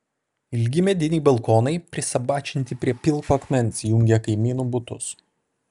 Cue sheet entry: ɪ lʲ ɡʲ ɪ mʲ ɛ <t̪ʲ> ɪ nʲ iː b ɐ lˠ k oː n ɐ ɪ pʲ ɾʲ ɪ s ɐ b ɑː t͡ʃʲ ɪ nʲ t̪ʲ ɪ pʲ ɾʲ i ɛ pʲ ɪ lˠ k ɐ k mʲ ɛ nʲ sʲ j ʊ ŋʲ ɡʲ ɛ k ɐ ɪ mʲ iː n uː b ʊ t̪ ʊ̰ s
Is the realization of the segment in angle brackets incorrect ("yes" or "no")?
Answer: yes